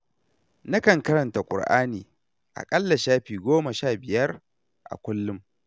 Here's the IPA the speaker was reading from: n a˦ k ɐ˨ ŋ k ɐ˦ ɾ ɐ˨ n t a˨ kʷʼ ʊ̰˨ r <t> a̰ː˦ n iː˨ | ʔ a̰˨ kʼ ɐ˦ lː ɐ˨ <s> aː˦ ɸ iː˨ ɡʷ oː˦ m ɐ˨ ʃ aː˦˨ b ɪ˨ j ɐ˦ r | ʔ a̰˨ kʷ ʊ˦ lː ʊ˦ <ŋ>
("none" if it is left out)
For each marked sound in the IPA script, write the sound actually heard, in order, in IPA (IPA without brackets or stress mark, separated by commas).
ʔ, ʃ, m